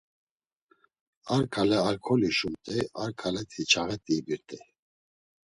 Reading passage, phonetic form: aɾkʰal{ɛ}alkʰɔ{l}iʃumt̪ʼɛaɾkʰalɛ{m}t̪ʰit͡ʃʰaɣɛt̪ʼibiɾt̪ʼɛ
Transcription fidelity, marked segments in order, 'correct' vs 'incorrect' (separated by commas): correct, correct, incorrect